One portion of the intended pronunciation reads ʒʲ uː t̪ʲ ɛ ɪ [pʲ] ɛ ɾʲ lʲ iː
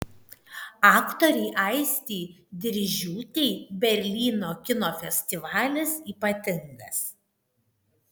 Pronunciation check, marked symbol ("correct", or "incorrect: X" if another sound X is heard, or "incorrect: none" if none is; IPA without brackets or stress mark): incorrect: bʲ